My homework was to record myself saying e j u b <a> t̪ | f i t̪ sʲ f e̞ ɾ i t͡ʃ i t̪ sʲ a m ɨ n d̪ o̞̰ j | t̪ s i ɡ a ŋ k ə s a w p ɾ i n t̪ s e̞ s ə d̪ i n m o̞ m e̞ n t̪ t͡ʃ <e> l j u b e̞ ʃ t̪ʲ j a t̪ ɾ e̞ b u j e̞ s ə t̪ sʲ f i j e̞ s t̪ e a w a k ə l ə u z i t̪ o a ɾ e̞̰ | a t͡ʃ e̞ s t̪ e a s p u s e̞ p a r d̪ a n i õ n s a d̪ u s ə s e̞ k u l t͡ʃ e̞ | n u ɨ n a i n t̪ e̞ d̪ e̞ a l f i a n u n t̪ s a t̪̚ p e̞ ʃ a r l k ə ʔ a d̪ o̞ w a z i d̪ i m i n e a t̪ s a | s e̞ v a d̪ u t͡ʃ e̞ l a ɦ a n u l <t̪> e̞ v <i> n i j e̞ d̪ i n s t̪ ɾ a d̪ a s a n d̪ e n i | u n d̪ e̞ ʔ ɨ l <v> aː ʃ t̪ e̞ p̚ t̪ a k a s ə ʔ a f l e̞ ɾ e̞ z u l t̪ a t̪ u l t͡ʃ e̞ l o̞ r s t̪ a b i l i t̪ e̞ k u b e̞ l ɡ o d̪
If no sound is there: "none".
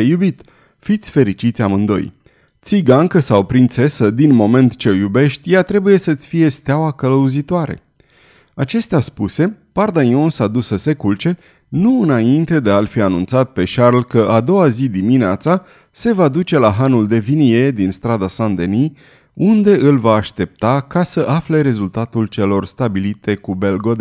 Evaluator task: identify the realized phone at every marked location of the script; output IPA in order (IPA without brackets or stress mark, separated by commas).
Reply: i, e, d̪, i, v